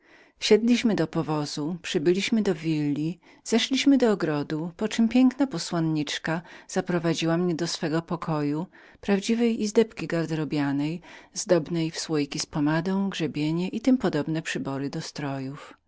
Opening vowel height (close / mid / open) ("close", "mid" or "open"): mid